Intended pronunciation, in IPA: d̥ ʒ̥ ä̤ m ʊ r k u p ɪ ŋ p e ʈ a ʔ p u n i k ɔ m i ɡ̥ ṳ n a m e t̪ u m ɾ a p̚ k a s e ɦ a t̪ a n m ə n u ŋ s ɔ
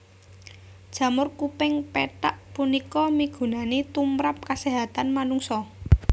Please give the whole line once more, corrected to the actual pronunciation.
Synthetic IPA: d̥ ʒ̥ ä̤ m ʊ r k u p ɪ ŋ p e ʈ a ʔ p u n i k ɔ m i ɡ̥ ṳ n a n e t̪ u m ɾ a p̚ k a s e ɦ a t̪ a n m a n u ŋ s ɔ

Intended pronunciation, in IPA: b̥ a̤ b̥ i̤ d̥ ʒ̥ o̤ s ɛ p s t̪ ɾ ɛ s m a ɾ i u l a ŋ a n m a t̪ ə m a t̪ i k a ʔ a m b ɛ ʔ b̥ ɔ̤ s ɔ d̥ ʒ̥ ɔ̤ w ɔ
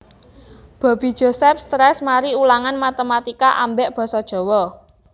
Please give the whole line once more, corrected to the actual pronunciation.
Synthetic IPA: b̥ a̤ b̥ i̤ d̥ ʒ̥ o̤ s ɛ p s t̪ ɾ ɛ s m a ɾ i u l a ŋ a n m a t̪ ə m a t̪ i k a ʔ a m b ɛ ʔ b̥ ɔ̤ s ɔ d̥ ʒ̥ ɔ̤ w ɔ

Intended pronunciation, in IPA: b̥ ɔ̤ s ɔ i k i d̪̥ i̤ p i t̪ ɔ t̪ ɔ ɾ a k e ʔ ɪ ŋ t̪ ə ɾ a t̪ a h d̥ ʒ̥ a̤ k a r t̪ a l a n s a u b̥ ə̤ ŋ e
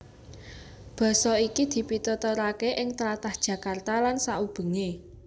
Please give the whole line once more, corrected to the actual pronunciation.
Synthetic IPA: b̥ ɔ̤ s ɔ i k i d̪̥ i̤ p i t̪ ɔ t̪ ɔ ɾ a k e ʔ ɪ ŋ t̪ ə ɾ a t̪ a h d̥ ʒ̥ a̤ k a r t̪ a l a n s a u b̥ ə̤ ŋ e

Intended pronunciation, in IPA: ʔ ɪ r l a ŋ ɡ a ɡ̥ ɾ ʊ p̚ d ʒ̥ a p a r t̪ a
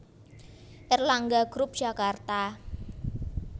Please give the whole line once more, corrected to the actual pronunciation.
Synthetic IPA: ʔ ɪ r l a ŋ ɡ a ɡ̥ ɾ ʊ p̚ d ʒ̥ a k a r t̪ a

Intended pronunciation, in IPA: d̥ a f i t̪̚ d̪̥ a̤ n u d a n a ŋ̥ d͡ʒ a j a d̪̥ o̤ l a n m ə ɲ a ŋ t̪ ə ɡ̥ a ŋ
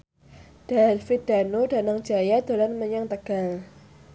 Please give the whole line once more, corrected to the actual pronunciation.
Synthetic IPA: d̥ a f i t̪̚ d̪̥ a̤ n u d a n a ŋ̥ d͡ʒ a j a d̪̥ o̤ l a n m ə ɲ a ŋ t̪ ə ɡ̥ a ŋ

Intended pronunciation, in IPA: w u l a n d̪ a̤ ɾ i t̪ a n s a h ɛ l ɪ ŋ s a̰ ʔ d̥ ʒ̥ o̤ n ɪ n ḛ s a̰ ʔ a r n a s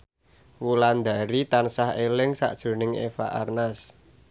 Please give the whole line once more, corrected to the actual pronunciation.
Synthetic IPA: w u l a n d̪ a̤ ɾ i t̪ a n s a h e l ɪ ŋ s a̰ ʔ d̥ ʒ̥ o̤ n ɪ ŋ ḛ f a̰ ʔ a r n a s

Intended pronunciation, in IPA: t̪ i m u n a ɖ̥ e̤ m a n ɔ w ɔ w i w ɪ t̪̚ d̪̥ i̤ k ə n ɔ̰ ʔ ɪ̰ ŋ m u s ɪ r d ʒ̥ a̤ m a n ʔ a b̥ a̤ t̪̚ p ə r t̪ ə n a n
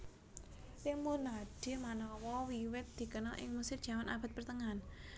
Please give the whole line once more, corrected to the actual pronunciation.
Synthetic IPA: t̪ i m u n a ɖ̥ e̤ m a n ɔ w ɔ w i w ɪ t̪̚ d̪̥ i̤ k ə n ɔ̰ ʔ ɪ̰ ŋ m u s ɪ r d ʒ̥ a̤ m a n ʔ a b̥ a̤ t̪̚ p ə r t̪ ə ŋ a n

